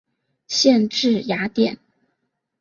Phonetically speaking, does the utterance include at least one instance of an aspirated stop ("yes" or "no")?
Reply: no